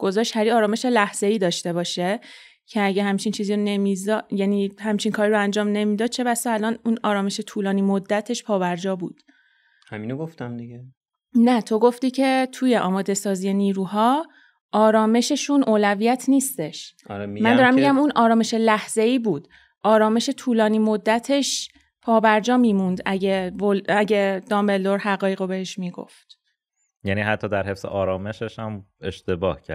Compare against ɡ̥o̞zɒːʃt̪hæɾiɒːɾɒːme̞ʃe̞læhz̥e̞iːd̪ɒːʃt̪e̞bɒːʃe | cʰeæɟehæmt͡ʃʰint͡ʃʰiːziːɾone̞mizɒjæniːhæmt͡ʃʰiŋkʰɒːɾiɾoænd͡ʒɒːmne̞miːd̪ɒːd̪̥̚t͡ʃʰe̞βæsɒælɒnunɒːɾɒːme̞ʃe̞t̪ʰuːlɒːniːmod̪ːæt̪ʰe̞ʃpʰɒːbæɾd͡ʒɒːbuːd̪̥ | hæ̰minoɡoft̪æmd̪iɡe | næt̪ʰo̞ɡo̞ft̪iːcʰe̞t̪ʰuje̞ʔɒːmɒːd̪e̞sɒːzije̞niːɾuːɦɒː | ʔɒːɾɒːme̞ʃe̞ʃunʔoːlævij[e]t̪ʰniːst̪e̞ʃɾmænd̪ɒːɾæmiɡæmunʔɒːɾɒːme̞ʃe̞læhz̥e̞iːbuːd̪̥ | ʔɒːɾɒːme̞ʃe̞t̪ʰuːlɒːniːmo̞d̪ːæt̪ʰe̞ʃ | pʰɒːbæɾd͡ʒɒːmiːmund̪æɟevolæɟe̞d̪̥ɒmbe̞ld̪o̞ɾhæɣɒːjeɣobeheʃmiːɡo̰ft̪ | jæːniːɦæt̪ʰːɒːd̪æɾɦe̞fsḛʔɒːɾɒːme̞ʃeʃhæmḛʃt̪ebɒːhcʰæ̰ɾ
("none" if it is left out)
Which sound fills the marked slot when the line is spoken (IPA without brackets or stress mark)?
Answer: æ